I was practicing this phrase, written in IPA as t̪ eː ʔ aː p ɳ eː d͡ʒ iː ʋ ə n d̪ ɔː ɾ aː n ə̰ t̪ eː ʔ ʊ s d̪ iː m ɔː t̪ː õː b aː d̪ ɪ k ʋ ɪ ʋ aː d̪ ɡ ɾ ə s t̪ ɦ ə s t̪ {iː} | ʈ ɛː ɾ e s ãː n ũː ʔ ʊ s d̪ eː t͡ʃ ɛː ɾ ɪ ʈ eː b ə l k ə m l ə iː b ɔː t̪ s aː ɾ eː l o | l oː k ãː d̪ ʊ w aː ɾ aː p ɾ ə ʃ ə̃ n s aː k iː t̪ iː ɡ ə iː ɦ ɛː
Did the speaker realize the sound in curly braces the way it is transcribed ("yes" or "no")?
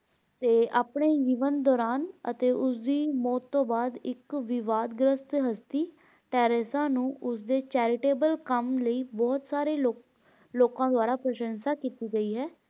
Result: yes